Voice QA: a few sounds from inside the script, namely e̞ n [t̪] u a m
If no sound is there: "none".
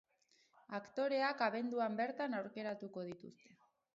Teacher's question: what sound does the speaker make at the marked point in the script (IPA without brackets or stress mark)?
d̪